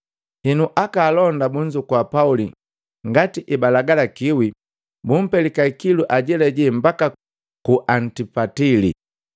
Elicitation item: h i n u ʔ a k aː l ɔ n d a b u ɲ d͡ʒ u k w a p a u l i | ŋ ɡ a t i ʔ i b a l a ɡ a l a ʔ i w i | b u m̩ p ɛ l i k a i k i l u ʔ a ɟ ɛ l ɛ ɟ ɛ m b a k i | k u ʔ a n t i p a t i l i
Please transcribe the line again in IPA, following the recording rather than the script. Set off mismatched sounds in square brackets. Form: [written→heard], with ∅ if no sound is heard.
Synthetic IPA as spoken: h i n u ʔ a k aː l ɔ n d a b u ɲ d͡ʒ u k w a p a u l i | ŋ ɡ a t i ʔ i b a l a ɡ a l a [ʔ→k] i w i | b u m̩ p ɛ l i k a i k i l u ʔ a ɟ ɛ l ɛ ɟ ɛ m b a k [i→a] | k u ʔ a n t i p a t i l i